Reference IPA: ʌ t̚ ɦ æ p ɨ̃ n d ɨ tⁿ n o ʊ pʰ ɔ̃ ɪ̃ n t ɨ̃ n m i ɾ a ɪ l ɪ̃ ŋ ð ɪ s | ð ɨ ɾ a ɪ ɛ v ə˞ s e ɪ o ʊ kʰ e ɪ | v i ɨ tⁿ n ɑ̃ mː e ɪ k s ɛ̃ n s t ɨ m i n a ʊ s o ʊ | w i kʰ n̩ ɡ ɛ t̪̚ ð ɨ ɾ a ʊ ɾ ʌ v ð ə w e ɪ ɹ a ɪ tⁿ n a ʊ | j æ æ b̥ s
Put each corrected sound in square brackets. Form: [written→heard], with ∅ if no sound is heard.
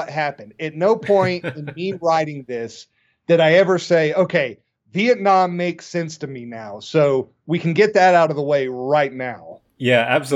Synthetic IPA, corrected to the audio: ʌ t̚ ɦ æ p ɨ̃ n d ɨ tⁿ n o ʊ pʰ ɔ̃ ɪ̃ n t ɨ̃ n m i [ɾ→ɹ] a ɪ [l→ɾ] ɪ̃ ŋ ð ɪ s | ð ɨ ɾ a ɪ ɛ v ə˞ s e ɪ o ʊ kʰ e ɪ | v i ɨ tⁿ n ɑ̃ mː e ɪ k s ɛ̃ n s t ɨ m i n a ʊ s o ʊ | w i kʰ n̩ ɡ ɛ t̪̚ ð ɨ ɾ a ʊ ɾ ʌ v ð ə w e ɪ ɹ a ɪ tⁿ n a ʊ | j æ æ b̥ s